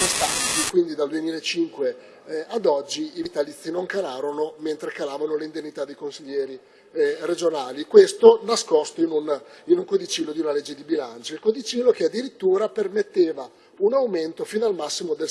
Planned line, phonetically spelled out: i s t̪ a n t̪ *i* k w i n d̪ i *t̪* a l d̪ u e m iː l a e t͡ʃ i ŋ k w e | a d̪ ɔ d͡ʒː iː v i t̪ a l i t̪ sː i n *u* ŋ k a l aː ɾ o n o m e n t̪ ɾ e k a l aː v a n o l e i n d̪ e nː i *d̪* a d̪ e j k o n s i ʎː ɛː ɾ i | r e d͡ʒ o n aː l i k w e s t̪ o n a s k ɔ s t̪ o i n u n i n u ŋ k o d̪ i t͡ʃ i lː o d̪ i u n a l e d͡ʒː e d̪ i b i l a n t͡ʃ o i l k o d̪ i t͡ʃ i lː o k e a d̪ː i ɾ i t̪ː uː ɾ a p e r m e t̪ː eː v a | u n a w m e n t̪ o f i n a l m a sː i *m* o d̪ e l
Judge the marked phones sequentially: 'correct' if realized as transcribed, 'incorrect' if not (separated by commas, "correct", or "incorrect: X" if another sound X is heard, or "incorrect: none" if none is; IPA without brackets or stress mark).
correct, incorrect: d̪, incorrect: o, incorrect: t̪, correct